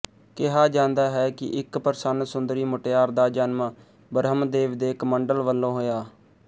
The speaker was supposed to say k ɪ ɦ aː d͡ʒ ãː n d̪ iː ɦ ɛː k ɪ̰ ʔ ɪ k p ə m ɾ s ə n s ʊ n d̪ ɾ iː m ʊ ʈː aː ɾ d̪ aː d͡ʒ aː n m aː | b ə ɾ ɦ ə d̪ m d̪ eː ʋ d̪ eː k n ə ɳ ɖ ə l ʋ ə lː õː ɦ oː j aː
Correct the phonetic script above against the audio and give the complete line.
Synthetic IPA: k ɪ ɦ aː d͡ʒ ãː n d̪ aː ɦ ɛː k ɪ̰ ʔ ɪ k p ə ɾ s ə n s ʊ n d̪ ɾ iː m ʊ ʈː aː ɾ d̪ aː d͡ʒ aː n m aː | b ə ɾ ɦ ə m d̪ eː ʋ d̪ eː k m ə ɳ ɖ ə l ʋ ə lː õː ɦ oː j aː